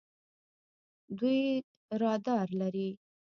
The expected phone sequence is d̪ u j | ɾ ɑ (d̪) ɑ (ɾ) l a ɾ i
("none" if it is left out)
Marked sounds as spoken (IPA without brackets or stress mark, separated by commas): d̪, ɾ